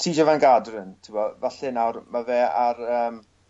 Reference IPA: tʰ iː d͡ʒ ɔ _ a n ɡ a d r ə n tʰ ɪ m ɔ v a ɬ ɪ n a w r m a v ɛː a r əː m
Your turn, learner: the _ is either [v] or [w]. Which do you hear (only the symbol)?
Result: v